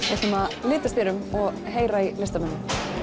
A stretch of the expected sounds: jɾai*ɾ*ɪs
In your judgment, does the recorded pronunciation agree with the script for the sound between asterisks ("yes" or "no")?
no